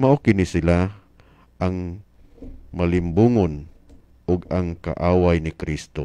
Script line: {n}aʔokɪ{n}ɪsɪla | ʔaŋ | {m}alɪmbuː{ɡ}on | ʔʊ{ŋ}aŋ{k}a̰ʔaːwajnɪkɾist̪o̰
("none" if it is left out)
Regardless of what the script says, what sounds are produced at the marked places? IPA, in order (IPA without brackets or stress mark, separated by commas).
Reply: m, n, m, ŋ, ɡ, k